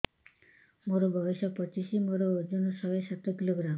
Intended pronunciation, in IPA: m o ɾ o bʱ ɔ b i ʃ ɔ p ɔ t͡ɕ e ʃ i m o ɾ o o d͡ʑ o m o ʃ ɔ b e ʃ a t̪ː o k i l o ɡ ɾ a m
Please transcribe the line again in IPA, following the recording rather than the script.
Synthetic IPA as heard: m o ɾ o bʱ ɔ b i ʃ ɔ p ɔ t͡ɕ i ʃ i m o ɾ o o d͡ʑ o n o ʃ ɔ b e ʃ a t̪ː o k i l o ɡ ɾ a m